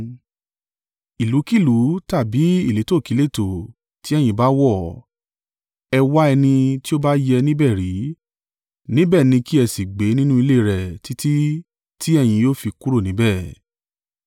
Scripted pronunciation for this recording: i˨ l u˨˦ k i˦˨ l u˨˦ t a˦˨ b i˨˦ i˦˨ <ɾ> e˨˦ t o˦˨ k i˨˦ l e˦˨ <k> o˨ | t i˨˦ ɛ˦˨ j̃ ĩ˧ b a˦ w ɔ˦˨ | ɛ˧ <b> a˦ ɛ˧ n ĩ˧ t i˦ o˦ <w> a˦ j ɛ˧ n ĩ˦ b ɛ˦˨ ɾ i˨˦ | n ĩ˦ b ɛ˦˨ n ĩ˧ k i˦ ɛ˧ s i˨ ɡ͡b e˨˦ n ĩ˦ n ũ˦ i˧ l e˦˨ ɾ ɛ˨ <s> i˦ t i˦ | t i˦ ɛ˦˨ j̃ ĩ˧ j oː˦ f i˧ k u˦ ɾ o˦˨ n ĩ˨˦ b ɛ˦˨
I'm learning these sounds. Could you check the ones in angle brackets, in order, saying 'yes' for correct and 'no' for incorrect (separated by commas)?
no, no, no, no, no